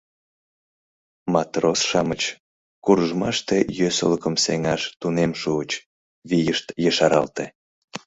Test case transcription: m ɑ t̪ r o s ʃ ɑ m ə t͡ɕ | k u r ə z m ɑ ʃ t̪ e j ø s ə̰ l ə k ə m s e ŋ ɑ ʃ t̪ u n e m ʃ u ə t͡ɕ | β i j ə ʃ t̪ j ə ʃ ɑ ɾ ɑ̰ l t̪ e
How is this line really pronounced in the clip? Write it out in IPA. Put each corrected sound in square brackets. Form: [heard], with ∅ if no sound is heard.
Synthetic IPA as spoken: m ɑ t̪ r o s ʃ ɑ m ə t͡ɕ | k u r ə [ʒ] m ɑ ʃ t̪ e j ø s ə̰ l ə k ə m s e ŋ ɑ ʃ t̪ u n e m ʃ u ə t͡ɕ | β i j ə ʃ t̪ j ə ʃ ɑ ɾ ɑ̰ l t̪ e